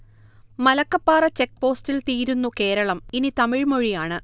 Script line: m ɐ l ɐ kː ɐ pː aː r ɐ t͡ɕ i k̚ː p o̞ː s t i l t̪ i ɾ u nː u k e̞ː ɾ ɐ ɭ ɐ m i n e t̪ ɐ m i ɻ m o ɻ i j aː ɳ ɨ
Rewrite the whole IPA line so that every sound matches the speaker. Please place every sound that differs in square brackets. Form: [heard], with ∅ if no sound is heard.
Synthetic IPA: m ɐ l ɐ kː ɐ pː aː r ɐ t͡ɕ [e] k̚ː p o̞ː s t i l t̪ [iː] ɾ u nː u k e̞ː ɾ ɐ ɭ ɐ m i n [i] t̪ ɐ m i ɻ m o ɻ i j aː ɳ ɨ